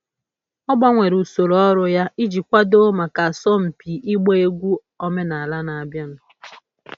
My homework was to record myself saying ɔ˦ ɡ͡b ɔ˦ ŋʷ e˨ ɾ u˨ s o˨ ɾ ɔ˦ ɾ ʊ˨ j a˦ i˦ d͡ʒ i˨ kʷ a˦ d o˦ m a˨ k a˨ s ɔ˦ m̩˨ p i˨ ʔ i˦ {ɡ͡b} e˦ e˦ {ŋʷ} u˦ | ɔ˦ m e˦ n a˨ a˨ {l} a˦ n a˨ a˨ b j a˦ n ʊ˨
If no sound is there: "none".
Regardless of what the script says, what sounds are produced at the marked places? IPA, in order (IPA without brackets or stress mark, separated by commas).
ɡ͡b, ɡʷ, l